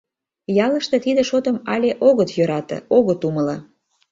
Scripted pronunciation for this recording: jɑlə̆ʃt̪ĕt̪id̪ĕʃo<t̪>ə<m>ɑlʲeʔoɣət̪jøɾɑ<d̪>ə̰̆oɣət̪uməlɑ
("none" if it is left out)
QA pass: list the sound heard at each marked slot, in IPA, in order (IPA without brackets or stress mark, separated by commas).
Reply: t̪, m, t̪